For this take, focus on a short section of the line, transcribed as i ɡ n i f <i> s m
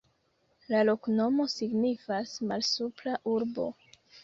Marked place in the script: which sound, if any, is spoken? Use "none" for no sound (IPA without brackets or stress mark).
a